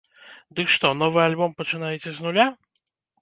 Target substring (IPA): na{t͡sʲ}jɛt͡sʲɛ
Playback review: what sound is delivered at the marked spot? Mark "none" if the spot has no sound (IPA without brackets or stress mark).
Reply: none